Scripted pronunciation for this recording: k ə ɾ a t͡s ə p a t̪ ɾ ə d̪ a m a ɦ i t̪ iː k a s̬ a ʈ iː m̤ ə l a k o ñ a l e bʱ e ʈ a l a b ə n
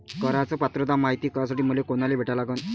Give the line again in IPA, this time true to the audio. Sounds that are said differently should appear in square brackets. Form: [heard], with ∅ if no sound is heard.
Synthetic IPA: k ə ɾ a t͡s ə p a t̪ ɾ ə d̪ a m a ɦ i t̪ iː k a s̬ a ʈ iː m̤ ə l [e] k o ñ a l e bʱ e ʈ a l a [ɡ] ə n